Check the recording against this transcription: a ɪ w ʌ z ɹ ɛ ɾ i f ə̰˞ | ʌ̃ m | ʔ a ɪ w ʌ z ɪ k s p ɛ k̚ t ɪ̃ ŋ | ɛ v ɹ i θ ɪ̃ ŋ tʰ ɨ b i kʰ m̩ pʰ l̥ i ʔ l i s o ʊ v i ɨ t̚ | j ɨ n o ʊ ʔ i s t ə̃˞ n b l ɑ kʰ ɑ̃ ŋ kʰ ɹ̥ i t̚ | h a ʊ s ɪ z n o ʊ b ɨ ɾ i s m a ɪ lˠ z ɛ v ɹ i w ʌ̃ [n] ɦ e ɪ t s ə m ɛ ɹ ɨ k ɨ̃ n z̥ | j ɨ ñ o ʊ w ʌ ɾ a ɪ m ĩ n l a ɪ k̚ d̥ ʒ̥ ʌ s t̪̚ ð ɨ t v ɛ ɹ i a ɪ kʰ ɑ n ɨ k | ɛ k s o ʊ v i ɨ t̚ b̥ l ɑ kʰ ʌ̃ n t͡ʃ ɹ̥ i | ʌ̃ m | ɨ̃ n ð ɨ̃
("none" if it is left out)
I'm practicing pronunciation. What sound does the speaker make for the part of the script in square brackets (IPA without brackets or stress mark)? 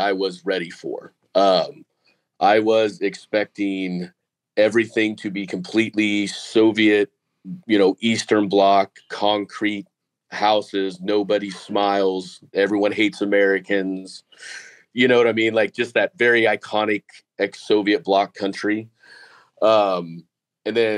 n